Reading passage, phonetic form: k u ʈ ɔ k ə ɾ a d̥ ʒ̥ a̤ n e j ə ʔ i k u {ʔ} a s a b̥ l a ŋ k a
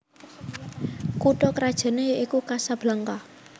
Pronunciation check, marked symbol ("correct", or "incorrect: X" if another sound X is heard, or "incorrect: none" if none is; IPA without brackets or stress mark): incorrect: k